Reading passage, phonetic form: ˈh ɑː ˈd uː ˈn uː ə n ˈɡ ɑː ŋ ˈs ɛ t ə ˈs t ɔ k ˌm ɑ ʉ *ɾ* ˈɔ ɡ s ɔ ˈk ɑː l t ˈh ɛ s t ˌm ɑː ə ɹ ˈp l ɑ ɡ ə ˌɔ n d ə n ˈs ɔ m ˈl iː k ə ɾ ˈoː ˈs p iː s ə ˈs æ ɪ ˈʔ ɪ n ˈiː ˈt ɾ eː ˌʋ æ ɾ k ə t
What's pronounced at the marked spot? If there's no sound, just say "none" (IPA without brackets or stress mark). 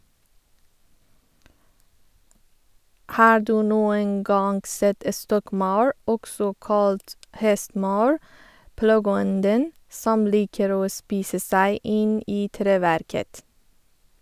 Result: ɹ